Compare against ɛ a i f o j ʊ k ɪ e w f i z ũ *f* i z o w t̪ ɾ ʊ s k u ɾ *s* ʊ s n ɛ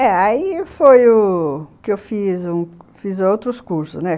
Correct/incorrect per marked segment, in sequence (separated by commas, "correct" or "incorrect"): correct, correct